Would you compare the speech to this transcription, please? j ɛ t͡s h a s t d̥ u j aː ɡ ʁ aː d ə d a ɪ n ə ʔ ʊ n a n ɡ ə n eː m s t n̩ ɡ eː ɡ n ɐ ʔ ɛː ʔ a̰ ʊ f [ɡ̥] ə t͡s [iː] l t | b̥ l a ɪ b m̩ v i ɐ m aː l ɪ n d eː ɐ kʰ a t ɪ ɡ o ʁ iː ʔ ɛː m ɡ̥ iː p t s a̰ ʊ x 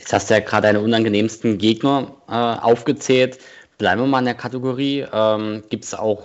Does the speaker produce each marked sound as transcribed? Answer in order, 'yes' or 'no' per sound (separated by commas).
yes, no